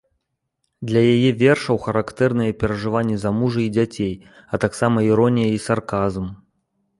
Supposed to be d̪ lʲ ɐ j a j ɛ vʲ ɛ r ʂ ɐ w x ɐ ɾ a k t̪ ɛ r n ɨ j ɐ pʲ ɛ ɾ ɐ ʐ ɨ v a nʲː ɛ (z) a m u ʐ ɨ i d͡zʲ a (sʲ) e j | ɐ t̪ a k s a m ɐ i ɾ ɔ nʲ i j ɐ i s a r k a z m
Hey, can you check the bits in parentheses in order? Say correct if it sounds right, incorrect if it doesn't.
correct, incorrect: t͡sʲ

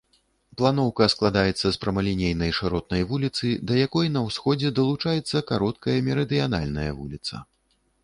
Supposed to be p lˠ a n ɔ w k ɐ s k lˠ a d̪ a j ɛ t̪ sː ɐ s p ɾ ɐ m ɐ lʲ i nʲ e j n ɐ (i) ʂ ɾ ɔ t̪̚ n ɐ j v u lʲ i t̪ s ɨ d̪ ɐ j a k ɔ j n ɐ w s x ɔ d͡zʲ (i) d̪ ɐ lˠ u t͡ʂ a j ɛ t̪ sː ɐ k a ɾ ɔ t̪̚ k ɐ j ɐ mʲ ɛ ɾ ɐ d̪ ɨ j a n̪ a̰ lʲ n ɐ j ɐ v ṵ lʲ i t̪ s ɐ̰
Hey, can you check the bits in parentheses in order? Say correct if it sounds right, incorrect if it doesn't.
incorrect: j, incorrect: ɛ

